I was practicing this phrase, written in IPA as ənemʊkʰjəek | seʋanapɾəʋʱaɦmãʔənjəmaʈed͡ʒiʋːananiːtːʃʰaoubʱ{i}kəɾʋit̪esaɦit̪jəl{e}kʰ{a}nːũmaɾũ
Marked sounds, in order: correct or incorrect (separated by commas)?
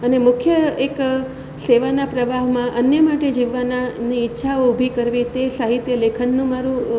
correct, correct, incorrect